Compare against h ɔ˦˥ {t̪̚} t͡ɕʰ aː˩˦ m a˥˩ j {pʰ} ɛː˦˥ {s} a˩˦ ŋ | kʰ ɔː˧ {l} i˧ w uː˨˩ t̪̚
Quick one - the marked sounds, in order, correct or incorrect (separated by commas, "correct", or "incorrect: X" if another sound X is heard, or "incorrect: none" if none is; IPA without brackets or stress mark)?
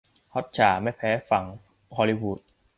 correct, correct, incorrect: f, correct